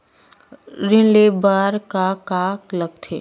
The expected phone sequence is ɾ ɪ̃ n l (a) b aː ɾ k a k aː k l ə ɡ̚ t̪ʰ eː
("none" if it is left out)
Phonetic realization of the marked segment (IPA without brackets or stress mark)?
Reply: e